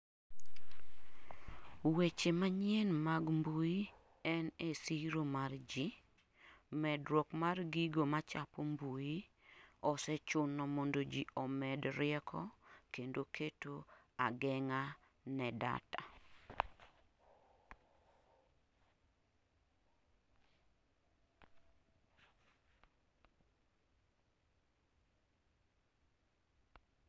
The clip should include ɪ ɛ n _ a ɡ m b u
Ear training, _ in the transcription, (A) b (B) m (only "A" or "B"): B